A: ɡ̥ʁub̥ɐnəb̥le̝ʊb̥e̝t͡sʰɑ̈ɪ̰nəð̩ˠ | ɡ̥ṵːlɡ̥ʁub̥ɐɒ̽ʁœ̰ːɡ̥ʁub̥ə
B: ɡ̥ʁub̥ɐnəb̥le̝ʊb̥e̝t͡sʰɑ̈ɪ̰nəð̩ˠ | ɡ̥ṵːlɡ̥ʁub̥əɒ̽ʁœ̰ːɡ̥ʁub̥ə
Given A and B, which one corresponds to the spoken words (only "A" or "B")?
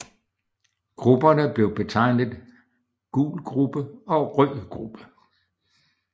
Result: B